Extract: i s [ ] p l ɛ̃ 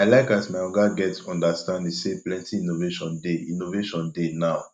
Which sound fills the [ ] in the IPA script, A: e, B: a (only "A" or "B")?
A